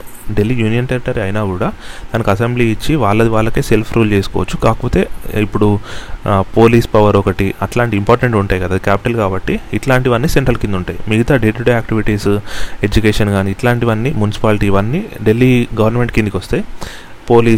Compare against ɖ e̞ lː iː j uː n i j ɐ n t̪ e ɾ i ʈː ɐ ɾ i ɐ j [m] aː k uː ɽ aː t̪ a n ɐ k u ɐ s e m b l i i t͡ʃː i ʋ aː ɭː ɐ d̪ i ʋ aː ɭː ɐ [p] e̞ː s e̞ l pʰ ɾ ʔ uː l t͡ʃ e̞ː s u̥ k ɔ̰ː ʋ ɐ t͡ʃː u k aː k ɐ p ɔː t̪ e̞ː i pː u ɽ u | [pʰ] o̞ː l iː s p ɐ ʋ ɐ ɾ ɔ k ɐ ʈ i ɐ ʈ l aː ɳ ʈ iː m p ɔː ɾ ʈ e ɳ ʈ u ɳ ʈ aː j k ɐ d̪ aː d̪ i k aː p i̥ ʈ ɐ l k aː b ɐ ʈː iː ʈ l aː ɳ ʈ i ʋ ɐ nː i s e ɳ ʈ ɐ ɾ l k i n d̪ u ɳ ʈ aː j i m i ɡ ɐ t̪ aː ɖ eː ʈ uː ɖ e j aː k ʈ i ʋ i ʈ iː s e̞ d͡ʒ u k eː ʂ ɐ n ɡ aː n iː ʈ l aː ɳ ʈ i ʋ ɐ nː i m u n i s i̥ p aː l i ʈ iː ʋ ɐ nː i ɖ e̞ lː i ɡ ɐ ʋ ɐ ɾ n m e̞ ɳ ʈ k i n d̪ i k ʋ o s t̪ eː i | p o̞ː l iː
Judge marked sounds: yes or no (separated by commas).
no, no, no